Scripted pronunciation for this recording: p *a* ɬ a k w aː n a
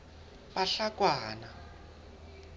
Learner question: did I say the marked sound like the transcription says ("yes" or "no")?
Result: yes